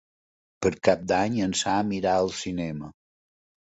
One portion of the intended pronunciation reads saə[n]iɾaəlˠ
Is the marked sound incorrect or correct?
incorrect